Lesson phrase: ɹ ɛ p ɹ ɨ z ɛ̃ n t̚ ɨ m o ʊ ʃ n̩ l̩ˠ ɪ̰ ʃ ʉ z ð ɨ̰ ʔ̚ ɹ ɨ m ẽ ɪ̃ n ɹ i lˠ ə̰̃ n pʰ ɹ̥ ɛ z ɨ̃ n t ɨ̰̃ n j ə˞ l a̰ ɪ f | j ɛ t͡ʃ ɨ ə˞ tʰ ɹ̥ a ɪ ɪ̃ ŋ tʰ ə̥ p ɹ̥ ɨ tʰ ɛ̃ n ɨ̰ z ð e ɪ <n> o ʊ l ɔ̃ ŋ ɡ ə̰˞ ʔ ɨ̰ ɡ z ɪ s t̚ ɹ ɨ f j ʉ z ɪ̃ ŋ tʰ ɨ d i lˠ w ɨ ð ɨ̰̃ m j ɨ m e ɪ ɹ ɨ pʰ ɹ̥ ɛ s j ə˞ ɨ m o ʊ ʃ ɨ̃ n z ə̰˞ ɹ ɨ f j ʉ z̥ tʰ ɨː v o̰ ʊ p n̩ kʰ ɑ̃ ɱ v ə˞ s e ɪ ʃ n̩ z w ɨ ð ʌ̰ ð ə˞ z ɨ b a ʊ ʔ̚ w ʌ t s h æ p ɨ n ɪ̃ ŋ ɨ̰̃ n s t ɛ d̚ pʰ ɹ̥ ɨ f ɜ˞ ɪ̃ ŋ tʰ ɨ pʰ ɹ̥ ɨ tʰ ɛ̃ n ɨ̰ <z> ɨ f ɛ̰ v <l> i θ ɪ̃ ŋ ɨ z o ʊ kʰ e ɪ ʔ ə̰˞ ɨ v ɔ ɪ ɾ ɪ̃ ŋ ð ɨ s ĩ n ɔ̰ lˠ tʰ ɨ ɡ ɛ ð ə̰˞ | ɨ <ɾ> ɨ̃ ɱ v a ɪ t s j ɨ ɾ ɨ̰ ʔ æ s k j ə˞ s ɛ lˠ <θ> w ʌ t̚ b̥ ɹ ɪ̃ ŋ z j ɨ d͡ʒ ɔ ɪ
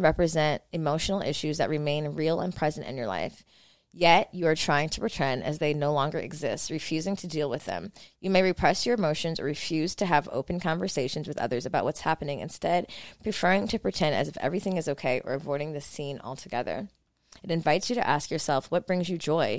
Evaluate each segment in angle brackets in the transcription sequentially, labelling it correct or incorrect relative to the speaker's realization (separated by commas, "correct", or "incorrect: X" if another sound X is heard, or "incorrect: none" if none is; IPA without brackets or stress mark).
correct, correct, incorrect: ɹ, correct, incorrect: f